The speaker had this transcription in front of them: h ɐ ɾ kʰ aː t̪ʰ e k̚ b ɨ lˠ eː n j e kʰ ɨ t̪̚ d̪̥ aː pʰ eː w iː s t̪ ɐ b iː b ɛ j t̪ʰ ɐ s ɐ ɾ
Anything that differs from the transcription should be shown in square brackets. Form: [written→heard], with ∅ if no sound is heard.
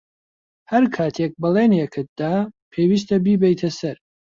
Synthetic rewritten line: h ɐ ɾ kʰ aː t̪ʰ e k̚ b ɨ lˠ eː n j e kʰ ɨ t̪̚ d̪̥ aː pʰ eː w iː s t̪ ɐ b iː b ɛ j t̪ʰ ɐ s ɐ ɾ